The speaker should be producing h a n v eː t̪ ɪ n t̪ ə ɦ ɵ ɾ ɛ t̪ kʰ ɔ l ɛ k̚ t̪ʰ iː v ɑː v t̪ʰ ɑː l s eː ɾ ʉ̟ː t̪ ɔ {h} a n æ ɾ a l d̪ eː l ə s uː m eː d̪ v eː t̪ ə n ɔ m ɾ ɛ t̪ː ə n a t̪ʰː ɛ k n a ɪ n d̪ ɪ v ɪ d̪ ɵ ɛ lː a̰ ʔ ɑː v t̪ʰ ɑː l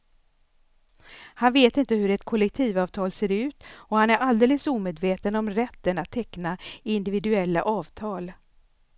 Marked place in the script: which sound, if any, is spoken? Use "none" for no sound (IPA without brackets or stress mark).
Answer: h